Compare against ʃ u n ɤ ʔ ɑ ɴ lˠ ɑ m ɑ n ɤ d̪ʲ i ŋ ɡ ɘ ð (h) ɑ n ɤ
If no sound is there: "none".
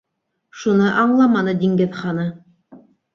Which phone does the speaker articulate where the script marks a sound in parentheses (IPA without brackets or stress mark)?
χ